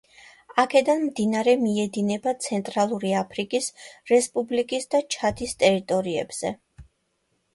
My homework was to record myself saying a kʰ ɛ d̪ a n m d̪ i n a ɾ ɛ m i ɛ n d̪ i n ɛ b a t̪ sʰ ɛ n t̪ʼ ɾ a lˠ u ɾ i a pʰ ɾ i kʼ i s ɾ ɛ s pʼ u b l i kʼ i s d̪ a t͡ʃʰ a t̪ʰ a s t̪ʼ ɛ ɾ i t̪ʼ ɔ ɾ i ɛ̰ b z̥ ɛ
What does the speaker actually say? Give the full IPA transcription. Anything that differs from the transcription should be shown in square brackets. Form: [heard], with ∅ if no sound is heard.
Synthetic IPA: a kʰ ɛ d̪ a n m d̪ i n a ɾ ɛ m i ɛ [∅] d̪ i n ɛ b a t̪ sʰ ɛ n t̪ʼ ɾ a lˠ u ɾ i a pʰ ɾ i kʼ i s ɾ ɛ s pʼ u b l i kʼ i s d̪ a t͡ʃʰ a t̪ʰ [i] s t̪ʼ ɛ ɾ i t̪ʼ ɔ ɾ i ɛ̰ b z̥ ɛ